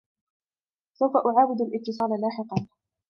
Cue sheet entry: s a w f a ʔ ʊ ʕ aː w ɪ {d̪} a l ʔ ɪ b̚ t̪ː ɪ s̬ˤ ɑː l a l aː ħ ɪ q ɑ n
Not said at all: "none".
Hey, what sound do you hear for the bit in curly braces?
d̪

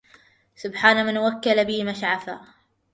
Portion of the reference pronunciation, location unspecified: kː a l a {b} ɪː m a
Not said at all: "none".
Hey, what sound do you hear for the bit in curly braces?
b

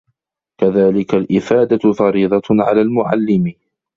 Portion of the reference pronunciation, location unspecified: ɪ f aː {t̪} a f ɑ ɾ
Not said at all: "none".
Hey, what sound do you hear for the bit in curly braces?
d̪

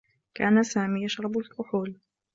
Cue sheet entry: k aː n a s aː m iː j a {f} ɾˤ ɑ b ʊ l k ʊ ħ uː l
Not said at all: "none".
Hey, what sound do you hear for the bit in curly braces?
ʃ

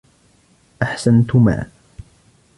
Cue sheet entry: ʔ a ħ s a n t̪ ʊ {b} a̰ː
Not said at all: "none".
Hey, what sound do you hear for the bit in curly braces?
m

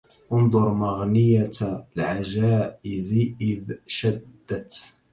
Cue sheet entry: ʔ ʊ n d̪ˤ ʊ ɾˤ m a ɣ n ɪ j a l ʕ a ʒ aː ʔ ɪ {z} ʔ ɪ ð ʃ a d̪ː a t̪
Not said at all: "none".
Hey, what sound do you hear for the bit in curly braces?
z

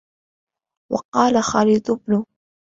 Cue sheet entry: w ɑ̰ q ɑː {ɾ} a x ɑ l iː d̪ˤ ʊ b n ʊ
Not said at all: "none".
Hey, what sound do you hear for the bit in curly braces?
l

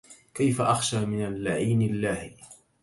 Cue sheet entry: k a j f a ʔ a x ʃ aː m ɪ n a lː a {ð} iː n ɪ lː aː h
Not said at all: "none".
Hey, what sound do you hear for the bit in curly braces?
ʕ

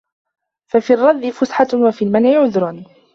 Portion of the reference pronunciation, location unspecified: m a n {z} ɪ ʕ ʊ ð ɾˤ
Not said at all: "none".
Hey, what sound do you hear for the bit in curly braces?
ʕ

